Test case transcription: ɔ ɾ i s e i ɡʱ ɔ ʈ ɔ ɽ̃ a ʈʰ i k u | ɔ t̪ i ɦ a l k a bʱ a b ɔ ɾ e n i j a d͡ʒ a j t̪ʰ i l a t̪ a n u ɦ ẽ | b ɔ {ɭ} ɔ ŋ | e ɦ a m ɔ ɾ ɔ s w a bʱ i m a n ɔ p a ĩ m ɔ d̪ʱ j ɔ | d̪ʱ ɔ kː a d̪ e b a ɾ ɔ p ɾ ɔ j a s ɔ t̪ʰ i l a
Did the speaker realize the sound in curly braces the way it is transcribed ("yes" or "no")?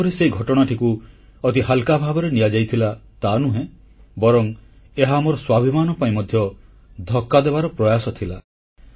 no